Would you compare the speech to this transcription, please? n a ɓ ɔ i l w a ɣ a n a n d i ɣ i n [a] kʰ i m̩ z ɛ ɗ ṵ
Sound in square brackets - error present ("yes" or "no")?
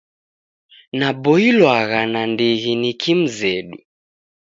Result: yes